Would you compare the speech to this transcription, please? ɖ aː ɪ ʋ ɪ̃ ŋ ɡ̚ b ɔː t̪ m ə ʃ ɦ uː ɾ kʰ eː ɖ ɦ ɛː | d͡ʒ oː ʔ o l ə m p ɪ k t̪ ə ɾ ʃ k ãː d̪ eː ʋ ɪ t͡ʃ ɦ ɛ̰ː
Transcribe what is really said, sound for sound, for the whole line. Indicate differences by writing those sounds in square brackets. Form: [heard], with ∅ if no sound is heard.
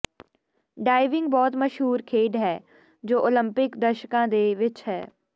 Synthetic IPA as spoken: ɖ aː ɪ ʋ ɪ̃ ŋ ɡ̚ b ɔː t̪ m ə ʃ ɦ uː ɾ kʰ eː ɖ ɦ ɛː | d͡ʒ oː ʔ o l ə m p ɪ k [d̪] ə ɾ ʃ k ãː d̪ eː ʋ ɪ t͡ʃ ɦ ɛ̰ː